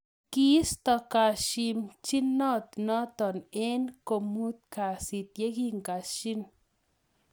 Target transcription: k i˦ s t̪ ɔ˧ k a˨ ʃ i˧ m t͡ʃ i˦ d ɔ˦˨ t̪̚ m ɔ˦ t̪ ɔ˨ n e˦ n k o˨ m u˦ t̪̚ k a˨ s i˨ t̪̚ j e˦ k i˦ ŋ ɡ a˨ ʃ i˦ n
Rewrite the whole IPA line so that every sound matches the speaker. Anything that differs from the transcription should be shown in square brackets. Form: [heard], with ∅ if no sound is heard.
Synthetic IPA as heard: k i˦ s t̪ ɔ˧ k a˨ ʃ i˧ m t͡ʃ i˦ [n] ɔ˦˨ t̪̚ [n] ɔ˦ t̪ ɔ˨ n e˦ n k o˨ m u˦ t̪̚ k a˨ s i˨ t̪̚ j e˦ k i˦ ŋ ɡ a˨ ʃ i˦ n